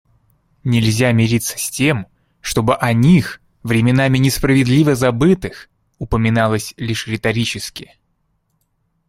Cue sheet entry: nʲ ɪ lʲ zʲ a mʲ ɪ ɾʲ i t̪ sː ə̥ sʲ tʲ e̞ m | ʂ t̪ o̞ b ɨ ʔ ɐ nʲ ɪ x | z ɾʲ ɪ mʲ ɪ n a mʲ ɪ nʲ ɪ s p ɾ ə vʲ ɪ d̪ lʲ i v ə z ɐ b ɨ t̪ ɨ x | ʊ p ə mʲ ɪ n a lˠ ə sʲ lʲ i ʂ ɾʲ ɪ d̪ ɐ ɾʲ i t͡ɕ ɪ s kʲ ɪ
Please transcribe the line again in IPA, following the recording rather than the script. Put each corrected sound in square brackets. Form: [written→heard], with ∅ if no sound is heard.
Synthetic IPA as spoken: nʲ ɪ lʲ zʲ a mʲ ɪ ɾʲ i t̪ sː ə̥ sʲ tʲ e̞ m | ʂ t̪ o̞ b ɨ ʔ ɐ nʲ [ɪ→i] x | [z→v] ɾʲ ɪ mʲ ɪ n a mʲ ɪ nʲ ɪ s p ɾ ə vʲ ɪ d̪ lʲ i v ə z ɐ b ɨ t̪ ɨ x | ʊ p ə mʲ ɪ n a lˠ ə sʲ lʲ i ʂ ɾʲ ɪ [d̪→t̪] ɐ ɾʲ i t͡ɕ ɪ s kʲ ɪ